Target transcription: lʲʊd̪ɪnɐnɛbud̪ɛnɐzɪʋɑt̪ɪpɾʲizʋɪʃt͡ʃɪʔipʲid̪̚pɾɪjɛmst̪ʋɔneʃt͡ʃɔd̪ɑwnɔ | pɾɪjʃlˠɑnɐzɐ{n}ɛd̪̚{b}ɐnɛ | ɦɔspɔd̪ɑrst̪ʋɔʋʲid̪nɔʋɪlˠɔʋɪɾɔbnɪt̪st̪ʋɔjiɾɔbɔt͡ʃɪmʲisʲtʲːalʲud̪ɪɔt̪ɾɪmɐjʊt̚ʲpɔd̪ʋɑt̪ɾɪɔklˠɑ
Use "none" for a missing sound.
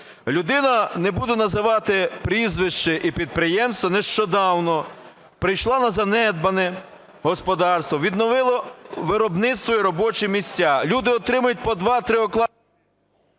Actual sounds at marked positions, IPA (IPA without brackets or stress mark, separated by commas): n, b